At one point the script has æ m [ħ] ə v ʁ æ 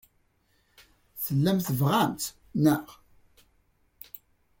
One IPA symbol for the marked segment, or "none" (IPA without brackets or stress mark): θ